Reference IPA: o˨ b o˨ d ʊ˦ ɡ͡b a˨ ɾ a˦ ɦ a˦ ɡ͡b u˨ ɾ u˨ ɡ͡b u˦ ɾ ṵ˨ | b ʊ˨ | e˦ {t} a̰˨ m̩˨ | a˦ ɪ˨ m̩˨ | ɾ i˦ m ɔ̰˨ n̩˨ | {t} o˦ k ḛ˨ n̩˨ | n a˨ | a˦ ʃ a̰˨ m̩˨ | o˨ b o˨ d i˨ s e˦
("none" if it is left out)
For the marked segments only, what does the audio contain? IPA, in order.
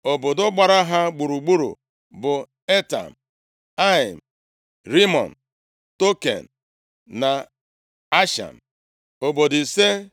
t, t

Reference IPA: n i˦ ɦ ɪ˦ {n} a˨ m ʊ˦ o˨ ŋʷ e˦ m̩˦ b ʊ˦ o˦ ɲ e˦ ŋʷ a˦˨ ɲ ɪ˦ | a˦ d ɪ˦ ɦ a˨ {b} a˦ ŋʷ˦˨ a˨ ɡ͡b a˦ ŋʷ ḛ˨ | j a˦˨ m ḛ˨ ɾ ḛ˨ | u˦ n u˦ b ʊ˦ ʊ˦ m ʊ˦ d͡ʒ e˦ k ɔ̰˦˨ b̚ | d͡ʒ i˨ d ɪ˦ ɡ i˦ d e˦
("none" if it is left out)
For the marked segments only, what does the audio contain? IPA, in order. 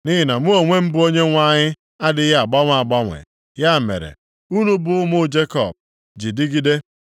n, ɡ͡b

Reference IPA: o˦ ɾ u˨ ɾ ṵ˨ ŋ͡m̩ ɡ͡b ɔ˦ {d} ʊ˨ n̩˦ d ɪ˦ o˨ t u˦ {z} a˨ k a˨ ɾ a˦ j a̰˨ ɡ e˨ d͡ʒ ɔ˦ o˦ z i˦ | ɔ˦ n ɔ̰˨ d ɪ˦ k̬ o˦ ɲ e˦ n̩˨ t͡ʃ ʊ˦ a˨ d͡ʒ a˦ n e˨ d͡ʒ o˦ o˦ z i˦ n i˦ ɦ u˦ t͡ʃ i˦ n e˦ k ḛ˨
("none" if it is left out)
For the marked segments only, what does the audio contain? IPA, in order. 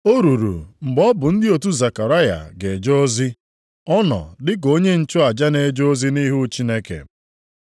b, z

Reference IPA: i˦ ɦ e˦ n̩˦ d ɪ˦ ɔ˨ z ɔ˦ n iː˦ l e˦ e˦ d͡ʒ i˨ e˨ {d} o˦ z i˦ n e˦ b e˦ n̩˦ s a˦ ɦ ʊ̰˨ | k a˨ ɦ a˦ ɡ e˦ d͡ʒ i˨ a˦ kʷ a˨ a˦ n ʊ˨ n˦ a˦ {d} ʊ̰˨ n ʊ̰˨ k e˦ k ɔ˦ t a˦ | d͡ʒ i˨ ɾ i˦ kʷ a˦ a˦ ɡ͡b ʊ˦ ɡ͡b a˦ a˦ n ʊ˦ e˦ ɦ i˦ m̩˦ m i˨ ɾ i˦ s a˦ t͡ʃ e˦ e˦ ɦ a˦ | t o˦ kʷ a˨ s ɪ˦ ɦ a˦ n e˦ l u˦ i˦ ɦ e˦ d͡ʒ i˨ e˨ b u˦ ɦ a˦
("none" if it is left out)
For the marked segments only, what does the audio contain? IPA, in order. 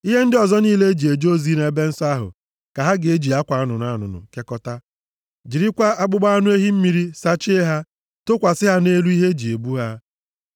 d͡ʒ, n

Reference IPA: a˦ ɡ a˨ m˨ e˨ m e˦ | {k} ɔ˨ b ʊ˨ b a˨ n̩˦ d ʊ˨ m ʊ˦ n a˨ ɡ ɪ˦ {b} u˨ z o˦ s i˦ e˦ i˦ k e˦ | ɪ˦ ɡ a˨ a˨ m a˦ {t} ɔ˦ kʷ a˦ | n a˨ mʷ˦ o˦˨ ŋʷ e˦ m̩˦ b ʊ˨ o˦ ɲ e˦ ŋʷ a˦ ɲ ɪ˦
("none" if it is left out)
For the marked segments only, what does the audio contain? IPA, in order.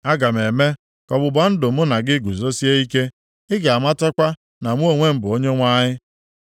k, ɡ, t

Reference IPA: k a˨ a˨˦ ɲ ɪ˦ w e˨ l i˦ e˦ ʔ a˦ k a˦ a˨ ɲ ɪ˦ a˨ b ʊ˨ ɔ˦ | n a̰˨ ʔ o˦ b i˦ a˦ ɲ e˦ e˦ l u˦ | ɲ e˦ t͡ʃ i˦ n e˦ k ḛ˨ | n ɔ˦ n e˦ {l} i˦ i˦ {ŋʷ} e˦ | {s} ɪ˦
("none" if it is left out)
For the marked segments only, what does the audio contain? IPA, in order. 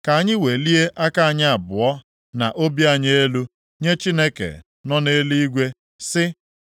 l, ɡʷ, s

